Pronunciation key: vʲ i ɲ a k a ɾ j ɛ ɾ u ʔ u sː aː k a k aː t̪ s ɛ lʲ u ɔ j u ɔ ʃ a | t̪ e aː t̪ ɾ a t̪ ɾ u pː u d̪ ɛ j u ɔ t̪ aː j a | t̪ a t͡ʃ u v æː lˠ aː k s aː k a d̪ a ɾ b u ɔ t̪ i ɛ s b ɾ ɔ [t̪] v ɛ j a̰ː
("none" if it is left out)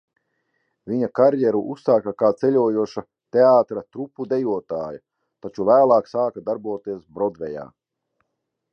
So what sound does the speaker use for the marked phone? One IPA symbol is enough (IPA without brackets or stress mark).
d̪